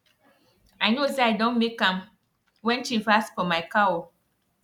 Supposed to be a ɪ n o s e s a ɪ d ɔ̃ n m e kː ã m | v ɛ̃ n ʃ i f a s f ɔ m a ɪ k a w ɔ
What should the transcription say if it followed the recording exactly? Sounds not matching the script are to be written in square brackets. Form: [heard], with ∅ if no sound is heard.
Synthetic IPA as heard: a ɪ n o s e [∅] a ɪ d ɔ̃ n m e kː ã m | [w] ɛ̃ n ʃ i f a s f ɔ m a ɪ k a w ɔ